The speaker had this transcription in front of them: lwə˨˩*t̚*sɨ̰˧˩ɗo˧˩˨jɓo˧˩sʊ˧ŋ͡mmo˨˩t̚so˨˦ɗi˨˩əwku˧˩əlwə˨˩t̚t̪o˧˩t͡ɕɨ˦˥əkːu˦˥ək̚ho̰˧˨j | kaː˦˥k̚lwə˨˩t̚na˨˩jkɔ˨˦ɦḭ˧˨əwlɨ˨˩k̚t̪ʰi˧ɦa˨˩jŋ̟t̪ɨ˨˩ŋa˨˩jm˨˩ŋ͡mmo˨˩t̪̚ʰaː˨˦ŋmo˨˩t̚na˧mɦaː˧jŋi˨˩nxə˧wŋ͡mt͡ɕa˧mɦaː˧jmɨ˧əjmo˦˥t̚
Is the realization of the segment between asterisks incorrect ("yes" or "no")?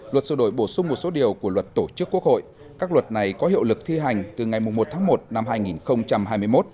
no